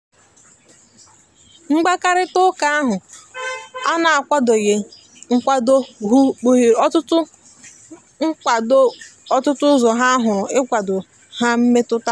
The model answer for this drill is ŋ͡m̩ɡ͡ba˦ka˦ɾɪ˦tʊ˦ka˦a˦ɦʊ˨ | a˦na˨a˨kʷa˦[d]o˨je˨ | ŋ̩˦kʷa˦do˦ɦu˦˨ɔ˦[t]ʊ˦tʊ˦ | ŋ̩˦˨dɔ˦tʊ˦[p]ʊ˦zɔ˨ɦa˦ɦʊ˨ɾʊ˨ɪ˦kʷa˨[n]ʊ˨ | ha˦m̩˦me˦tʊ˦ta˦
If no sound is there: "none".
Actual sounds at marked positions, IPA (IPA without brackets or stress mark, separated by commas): d, t, t, d